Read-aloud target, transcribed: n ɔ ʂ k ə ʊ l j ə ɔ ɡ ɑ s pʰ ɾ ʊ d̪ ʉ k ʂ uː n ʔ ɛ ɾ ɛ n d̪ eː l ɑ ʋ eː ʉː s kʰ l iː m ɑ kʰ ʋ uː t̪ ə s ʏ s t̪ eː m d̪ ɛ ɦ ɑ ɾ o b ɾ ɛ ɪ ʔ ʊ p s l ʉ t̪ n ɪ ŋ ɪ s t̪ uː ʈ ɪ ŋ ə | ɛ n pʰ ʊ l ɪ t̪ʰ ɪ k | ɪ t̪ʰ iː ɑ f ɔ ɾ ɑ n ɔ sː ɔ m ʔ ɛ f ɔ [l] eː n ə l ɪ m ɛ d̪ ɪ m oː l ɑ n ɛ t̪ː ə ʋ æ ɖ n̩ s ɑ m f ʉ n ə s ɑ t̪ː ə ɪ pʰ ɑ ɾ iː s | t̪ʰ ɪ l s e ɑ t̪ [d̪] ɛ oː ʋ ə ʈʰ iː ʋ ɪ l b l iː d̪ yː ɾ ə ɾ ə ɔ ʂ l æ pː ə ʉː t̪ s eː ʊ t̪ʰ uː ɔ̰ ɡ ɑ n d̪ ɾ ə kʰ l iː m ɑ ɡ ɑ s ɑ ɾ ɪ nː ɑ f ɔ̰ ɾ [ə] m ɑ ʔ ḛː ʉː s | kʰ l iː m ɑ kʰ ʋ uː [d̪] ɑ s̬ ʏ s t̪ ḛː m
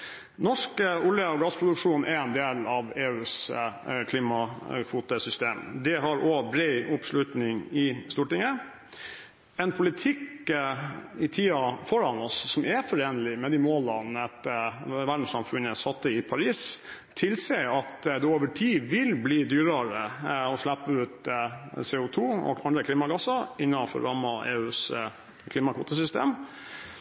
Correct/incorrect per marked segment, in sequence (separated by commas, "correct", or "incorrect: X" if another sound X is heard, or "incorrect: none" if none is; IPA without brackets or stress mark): incorrect: ɾ, correct, incorrect: ɑ, incorrect: t̪